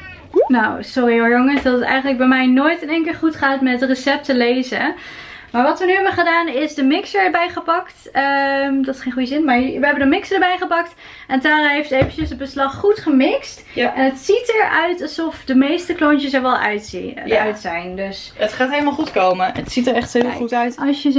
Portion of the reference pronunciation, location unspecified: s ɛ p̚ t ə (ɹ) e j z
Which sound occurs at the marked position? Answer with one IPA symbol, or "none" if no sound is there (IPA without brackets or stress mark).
l